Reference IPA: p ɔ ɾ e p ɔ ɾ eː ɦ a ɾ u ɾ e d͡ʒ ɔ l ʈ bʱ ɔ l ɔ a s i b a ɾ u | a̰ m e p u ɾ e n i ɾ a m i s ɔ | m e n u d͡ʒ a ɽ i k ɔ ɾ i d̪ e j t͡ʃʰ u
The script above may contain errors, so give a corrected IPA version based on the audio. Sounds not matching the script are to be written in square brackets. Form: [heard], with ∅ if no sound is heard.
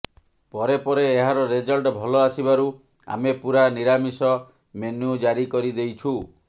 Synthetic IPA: p ɔ ɾ e p ɔ ɾ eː ɦ a ɾ [ɔ] ɾ e d͡ʒ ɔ l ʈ bʱ ɔ l ɔ a s i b a ɾ u | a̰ m e p u ɾ [a] n i ɾ a m i s ɔ | m e n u d͡ʒ a [ɾ] i k ɔ ɾ i d̪ e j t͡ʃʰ u